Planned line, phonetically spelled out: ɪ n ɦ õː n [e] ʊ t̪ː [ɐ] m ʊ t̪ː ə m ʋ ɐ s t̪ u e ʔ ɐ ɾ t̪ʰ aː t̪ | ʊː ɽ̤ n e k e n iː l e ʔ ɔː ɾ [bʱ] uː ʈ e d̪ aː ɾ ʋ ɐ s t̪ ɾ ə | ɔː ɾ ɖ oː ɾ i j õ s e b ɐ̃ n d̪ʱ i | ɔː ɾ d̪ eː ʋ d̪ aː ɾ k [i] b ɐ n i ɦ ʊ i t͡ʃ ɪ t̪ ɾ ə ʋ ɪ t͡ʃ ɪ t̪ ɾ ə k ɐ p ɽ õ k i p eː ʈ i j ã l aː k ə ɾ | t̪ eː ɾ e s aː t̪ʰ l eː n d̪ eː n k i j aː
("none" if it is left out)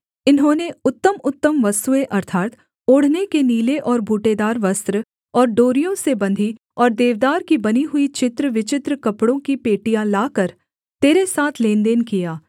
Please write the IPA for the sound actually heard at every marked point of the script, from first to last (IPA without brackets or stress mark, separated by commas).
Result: e, ə, bʱ, i